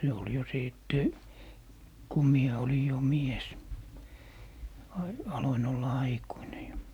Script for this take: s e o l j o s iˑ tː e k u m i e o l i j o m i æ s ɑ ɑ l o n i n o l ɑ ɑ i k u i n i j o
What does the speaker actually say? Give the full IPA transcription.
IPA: s e o l j o s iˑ tː e k u m i e o l i j o m i e s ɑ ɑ l o i n o lː ɑ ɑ i k u i n e j o